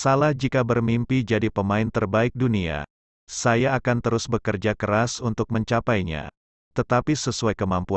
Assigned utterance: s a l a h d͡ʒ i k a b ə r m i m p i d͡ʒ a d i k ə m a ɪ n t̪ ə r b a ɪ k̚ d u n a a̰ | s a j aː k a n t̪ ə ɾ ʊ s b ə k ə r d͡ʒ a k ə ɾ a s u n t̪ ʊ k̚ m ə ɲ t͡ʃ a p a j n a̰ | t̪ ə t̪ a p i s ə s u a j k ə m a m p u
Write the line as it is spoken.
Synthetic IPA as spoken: s a l a h d͡ʒ i k a b ə r m i m p i d͡ʒ a d i p ə m a ɪ n t̪ ə r b a ɪ k̚ d u n i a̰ | s a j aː k a n t̪ ə ɾ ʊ s b ə k ə r d͡ʒ a k ə ɾ a s u n t̪ ʊ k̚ m ə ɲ t͡ʃ a p a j ɲ a̰ | t̪ ə t̪ a p i s ə s u a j k ə m a m p u